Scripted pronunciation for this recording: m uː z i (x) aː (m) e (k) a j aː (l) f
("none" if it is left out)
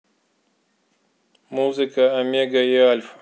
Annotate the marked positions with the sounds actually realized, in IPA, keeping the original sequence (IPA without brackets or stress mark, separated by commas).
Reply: k, m, ɡ, l